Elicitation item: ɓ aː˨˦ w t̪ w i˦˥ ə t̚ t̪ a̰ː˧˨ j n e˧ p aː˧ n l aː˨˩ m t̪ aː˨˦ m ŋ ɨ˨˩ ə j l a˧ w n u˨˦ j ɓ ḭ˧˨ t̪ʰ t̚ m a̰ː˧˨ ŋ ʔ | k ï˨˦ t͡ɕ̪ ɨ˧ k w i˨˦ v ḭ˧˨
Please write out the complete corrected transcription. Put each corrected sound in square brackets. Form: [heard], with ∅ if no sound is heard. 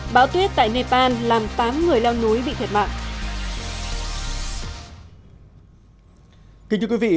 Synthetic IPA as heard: ɓ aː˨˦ w t̪ w i˦˥ ə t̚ t̪ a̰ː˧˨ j n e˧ p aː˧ n l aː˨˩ m t̪ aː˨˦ m ŋ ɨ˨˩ ə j l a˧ w n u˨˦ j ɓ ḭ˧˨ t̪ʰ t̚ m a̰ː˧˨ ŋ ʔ | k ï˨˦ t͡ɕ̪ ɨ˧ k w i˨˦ v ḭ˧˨